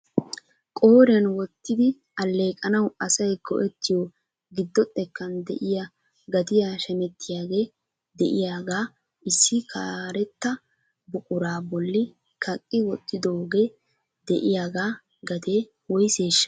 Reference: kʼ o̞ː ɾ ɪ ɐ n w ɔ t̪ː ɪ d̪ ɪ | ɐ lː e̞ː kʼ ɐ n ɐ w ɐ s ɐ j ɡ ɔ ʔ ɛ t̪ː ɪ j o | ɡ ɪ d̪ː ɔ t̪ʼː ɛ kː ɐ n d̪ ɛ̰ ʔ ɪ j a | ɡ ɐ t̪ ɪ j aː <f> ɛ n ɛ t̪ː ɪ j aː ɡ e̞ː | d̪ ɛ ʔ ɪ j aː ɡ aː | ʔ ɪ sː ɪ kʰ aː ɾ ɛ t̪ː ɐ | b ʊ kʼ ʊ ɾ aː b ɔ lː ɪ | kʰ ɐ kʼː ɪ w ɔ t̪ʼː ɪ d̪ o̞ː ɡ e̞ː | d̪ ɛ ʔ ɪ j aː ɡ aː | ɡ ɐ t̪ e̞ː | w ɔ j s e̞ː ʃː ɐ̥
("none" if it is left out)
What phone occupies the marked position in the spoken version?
ʃ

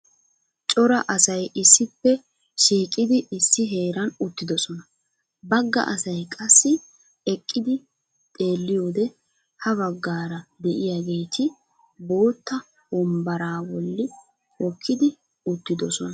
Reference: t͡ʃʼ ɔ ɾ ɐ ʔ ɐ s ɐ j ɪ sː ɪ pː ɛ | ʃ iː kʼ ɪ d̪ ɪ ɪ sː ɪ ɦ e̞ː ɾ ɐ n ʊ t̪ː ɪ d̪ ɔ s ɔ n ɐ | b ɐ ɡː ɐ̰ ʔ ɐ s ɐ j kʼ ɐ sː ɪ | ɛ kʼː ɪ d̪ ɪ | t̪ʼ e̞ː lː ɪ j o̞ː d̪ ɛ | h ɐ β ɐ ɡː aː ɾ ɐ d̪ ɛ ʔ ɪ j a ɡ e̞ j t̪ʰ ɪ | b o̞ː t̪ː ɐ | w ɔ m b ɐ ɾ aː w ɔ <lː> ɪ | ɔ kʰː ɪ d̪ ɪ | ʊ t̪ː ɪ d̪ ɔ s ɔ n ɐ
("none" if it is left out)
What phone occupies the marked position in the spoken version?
lː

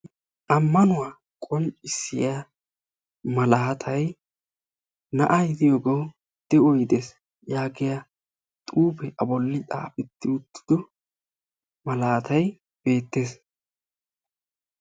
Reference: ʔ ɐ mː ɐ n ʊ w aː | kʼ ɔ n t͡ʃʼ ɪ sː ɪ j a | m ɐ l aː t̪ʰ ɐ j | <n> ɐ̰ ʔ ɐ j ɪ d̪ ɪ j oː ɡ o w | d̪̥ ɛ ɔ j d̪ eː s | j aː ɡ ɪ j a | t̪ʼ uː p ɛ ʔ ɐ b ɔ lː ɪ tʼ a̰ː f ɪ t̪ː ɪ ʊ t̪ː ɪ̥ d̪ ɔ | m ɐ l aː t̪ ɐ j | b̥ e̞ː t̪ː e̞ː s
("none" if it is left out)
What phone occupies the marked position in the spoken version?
n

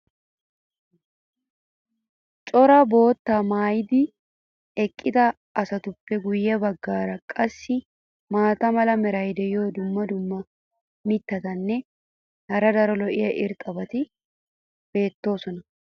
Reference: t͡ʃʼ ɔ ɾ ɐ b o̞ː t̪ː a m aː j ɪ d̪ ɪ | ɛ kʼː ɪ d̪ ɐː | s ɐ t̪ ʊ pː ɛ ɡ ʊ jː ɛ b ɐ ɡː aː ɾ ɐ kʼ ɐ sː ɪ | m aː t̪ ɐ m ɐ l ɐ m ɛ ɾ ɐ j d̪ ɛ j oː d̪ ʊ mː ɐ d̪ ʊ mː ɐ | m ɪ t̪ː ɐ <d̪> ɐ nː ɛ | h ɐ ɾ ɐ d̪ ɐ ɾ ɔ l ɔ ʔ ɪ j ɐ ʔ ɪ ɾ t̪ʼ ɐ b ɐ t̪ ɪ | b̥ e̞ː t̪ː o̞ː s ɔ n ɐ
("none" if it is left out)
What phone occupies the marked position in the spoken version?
t̪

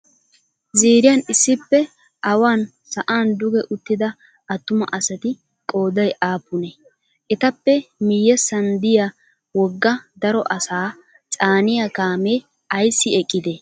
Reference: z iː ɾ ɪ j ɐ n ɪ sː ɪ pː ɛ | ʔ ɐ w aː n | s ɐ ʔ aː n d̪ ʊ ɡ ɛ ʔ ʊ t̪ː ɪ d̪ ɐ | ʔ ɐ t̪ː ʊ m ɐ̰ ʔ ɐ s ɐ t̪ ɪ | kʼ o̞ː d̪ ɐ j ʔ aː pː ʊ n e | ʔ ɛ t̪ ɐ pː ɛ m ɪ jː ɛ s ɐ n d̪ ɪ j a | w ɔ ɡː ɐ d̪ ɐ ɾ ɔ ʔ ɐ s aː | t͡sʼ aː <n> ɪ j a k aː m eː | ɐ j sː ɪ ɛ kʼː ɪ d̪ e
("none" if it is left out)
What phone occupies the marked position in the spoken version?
n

